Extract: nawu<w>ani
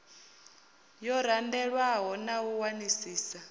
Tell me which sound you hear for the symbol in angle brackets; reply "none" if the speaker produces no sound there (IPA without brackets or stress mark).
w